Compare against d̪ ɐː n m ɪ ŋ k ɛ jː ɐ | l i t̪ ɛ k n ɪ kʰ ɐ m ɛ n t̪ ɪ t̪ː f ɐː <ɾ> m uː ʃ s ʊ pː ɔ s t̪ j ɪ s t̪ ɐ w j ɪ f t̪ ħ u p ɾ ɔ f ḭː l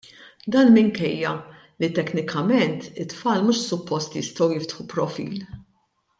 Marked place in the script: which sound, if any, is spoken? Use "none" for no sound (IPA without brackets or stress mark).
l